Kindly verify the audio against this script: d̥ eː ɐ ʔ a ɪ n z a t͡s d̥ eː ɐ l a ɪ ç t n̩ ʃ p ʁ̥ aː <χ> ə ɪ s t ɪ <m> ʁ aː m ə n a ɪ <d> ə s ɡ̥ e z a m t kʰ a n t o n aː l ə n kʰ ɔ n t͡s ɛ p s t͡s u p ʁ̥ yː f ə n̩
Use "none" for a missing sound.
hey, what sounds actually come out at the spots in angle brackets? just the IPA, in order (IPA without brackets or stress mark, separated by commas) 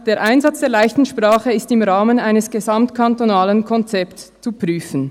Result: χ, m, n